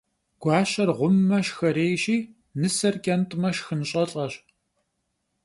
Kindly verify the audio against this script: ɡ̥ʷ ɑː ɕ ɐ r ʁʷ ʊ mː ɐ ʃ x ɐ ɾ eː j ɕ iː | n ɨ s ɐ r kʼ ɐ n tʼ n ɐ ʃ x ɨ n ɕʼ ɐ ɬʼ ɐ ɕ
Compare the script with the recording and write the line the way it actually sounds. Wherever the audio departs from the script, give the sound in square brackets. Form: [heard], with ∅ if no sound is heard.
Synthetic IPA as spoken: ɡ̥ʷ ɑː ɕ ɐ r ʁʷ ʊ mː ɐ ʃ x ɐ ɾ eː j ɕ iː | n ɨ s ɐ r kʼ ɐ n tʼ [m] ɐ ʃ x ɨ n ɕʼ ɐ ɬʼ ɐ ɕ